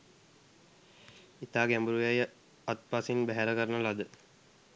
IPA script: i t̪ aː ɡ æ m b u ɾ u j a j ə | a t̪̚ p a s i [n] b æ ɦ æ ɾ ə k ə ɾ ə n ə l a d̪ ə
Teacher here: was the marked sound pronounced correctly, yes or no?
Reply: yes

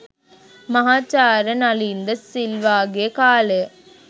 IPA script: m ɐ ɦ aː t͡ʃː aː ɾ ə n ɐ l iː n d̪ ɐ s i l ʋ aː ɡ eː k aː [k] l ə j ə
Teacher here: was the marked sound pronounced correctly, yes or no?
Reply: no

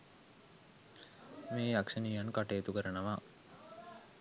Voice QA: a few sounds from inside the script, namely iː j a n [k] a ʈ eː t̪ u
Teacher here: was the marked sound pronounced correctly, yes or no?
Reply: yes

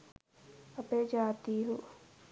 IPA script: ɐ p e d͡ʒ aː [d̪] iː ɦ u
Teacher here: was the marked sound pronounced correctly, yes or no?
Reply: no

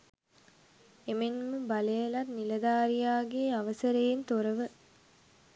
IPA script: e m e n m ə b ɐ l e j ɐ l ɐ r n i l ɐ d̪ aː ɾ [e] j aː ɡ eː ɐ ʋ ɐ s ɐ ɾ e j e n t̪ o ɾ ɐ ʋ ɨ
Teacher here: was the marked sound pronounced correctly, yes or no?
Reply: no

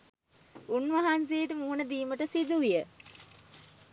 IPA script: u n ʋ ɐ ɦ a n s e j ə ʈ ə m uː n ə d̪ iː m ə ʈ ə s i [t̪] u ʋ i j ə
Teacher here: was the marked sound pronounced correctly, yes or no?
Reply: no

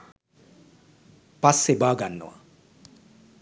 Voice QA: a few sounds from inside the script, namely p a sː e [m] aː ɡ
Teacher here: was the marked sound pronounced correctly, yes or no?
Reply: no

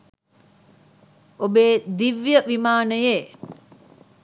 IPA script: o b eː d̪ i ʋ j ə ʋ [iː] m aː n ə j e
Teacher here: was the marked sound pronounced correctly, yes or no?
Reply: no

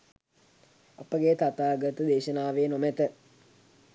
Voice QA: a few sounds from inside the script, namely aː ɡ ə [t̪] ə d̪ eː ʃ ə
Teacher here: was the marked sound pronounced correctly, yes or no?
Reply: yes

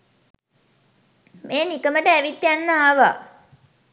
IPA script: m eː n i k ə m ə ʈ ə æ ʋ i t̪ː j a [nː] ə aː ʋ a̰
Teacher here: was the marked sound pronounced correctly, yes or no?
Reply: yes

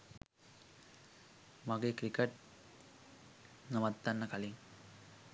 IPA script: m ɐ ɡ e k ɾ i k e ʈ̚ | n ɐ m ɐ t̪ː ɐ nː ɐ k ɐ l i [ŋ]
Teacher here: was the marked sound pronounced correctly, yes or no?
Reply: yes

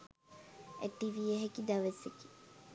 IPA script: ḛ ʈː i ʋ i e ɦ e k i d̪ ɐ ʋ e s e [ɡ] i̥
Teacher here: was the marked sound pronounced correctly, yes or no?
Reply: no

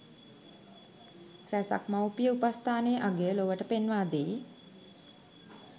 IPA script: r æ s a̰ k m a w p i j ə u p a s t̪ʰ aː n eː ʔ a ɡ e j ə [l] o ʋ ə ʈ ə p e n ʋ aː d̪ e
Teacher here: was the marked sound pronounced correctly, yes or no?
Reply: yes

